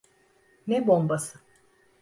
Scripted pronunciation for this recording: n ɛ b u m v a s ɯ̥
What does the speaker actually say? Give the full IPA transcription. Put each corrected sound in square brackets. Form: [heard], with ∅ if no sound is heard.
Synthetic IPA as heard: n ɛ b [o] m [b] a s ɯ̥